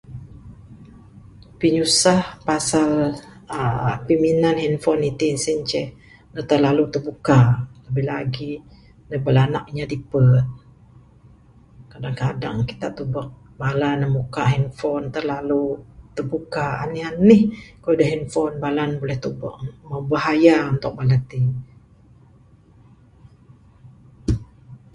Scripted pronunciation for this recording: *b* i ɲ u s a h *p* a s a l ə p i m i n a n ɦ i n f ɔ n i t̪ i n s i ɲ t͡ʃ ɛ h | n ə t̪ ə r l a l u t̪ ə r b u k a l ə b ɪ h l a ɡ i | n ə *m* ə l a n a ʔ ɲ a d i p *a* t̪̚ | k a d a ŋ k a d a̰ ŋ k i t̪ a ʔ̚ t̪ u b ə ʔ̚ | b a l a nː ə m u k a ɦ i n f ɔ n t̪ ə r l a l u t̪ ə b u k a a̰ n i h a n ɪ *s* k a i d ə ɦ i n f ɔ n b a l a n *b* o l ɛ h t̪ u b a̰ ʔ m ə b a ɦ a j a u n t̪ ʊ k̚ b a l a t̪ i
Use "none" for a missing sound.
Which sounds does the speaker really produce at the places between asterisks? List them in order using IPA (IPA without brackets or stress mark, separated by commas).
p, p, b, ə, h, b